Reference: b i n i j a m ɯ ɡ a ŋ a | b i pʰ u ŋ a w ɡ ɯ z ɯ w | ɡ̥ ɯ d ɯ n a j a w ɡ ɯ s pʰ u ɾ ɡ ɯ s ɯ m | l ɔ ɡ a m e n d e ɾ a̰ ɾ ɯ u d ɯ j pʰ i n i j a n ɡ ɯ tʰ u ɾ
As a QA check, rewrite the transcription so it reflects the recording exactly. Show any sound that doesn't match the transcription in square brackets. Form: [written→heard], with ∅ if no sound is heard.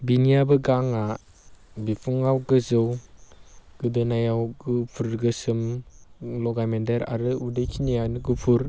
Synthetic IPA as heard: b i n i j a [m→b] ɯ ɡ a ŋ a | b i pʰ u ŋ a w ɡ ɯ z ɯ w | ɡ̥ ɯ d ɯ n a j a w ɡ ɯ [s→∅] pʰ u ɾ ɡ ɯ s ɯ m | l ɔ ɡ a m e n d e ɾ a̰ ɾ ɯ u d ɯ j [pʰ→kʰ] i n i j a n ɡ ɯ [tʰ→pʰ] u ɾ